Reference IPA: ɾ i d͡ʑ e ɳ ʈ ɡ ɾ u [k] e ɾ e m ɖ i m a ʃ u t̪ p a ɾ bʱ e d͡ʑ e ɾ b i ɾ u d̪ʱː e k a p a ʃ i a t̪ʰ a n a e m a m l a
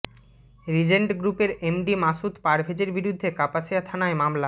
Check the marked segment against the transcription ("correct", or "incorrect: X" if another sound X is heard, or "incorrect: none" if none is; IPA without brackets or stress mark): incorrect: p